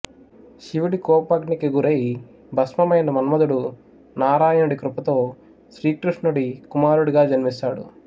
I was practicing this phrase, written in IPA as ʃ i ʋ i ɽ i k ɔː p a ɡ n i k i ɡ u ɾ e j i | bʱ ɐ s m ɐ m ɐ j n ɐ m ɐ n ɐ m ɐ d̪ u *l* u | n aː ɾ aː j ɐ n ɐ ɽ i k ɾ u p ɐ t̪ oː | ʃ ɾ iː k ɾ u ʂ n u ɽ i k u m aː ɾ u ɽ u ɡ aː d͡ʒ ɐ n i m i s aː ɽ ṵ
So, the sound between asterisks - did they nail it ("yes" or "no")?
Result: no